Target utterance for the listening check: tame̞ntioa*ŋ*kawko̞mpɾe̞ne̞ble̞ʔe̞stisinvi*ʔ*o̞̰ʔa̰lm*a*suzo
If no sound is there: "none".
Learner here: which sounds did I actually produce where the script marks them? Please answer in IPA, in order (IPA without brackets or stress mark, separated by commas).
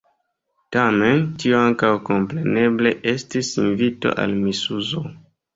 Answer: ŋ, t, i